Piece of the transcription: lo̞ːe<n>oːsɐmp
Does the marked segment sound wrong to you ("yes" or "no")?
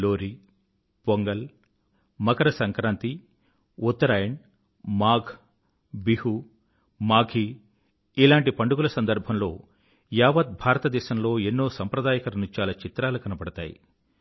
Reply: yes